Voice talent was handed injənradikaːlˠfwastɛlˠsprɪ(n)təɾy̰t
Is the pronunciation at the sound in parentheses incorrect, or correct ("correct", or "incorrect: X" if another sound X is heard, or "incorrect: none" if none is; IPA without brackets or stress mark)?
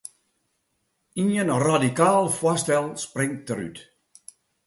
incorrect: ŋ